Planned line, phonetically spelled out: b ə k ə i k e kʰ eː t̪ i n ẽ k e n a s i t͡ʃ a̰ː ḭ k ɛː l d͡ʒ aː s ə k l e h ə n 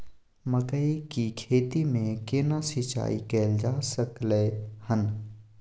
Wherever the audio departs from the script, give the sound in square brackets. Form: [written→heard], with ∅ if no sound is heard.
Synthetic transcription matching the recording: [b→m] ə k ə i k [e→i] kʰ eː t̪ i [n→m] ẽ k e n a s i t͡ʃ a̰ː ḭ k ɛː l d͡ʒ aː s ə k l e h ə n